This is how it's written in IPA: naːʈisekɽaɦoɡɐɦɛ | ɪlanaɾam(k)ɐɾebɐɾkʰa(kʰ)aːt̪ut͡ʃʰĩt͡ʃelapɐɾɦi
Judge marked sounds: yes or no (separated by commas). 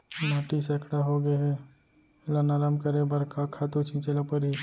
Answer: yes, yes